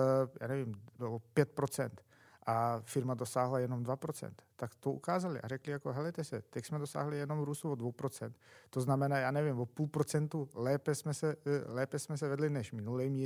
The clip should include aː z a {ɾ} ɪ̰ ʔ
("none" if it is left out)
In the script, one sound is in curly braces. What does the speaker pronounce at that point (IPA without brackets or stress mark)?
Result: l